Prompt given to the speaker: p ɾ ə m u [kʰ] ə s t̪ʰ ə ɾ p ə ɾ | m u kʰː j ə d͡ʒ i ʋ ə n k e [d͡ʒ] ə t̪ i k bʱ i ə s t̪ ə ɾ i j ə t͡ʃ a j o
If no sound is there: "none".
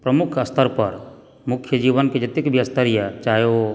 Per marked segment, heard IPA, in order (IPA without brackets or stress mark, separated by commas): kʰ, d͡ʒ